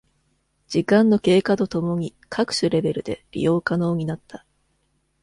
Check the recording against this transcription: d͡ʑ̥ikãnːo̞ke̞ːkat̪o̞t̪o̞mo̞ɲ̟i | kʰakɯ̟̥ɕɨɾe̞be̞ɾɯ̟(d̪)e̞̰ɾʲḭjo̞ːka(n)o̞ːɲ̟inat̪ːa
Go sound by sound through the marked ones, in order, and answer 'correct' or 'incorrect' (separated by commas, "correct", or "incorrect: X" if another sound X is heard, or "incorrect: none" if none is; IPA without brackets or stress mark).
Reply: correct, correct